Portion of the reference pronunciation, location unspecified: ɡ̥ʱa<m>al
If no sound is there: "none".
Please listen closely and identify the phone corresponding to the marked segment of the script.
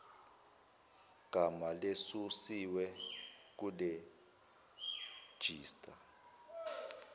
m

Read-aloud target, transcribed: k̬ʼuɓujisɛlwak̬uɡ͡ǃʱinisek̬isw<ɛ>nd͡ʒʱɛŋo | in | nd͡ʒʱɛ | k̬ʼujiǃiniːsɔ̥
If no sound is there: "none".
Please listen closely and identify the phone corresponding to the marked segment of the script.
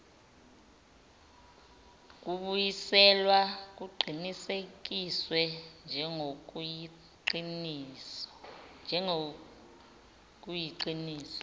ɛ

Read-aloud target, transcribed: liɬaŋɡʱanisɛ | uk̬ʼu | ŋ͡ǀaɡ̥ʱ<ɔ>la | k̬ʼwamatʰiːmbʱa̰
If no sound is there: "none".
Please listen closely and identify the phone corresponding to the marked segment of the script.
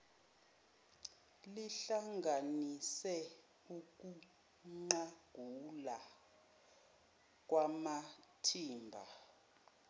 u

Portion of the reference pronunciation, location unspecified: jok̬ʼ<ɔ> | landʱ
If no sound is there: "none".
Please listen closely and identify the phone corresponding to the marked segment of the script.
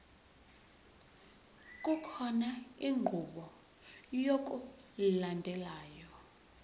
u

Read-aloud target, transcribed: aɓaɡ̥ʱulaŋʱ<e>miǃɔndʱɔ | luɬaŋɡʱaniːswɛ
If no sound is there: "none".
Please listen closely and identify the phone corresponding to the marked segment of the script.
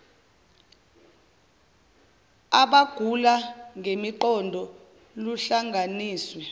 e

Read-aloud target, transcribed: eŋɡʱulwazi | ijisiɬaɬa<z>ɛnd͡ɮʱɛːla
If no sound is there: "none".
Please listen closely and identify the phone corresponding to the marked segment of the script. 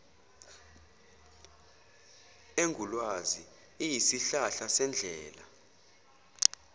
s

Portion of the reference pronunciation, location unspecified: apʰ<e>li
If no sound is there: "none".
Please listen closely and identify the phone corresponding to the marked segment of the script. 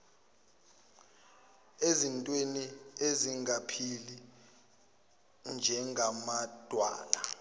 i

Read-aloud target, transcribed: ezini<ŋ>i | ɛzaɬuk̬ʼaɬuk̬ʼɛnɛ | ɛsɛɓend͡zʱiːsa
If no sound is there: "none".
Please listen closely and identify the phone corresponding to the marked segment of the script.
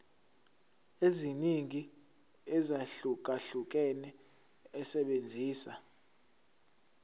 ŋ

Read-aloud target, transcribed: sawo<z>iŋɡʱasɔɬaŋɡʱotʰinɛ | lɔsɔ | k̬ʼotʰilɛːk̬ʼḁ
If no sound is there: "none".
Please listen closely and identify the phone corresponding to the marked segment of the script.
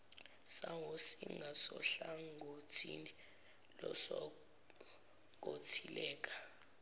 s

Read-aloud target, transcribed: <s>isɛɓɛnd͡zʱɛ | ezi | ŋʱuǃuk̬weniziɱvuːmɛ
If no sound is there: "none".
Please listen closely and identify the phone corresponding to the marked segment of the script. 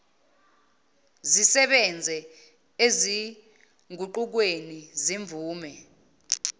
z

